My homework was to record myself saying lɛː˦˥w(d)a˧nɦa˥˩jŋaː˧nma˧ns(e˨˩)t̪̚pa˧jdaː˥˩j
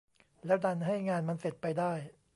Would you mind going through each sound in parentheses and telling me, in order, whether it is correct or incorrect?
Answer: correct, correct

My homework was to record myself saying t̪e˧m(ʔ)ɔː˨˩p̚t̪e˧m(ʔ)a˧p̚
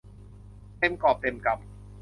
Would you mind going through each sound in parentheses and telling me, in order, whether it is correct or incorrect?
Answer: incorrect, incorrect

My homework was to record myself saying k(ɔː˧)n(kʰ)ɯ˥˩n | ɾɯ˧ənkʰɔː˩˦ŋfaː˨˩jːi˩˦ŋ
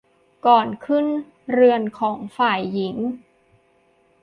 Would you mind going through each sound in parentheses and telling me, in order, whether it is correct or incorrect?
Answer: incorrect, correct

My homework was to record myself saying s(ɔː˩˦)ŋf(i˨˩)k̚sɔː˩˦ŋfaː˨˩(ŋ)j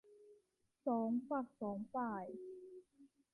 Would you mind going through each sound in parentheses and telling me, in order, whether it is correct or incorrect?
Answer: correct, incorrect, incorrect

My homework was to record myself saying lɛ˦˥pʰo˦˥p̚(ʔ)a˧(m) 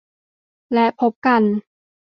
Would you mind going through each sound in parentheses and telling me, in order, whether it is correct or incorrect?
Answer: incorrect, incorrect

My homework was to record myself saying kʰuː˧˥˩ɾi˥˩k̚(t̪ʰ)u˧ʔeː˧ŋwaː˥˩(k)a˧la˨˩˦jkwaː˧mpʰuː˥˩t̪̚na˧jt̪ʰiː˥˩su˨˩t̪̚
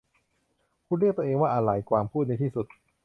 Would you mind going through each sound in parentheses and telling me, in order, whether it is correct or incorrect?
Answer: incorrect, incorrect

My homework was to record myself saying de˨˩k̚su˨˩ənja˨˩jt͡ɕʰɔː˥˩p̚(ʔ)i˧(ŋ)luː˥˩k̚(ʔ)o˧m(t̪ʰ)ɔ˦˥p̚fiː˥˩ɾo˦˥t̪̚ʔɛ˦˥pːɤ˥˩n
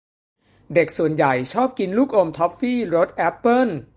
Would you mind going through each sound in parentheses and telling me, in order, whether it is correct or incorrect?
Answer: incorrect, incorrect, correct, correct

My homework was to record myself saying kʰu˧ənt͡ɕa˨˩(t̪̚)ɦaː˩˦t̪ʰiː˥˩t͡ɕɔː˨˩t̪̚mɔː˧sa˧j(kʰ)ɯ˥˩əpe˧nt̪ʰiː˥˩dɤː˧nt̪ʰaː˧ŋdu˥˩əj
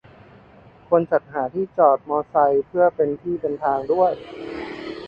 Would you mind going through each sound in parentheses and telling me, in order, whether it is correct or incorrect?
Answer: correct, incorrect

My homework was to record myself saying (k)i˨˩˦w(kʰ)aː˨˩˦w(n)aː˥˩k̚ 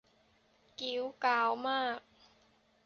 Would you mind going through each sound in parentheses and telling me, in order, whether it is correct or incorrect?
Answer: correct, incorrect, incorrect

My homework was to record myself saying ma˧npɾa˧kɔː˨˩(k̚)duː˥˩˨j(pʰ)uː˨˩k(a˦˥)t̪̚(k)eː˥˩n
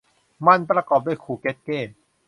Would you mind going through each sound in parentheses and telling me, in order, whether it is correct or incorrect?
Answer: incorrect, incorrect, incorrect, correct

